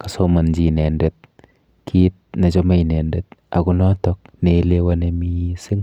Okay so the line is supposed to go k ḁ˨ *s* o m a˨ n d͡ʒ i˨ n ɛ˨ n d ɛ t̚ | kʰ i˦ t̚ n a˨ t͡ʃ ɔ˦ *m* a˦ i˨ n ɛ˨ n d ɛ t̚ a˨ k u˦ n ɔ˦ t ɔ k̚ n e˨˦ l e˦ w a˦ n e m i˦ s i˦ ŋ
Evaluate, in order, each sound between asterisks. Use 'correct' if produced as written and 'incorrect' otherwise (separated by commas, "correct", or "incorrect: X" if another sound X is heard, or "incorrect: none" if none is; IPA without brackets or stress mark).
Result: correct, correct